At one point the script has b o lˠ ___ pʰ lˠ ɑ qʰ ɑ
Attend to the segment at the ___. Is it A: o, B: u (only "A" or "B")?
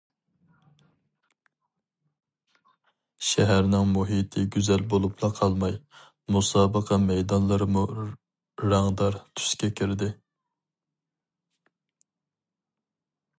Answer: B